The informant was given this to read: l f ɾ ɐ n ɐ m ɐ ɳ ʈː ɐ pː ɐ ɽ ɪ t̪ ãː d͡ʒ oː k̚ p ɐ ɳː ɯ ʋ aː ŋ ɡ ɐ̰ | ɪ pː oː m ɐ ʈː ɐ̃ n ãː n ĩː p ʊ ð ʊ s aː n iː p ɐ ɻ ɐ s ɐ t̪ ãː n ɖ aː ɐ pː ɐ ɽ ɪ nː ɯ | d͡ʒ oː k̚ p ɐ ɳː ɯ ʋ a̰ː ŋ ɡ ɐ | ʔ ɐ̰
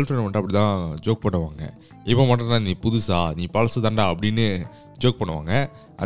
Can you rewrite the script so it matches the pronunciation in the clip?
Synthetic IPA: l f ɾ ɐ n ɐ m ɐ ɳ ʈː ɐ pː ɐ ɽ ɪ t̪ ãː d͡ʒ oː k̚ p ɐ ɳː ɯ ʋ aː ŋ ɡ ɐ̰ | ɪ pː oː m ɐ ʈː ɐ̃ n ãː n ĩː p ʊ ð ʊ s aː n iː p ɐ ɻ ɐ s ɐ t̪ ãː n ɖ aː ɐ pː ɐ ɽ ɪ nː ɯ | d͡ʒ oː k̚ p ɐ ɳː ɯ ʋ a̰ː ŋ ɡ ɐ | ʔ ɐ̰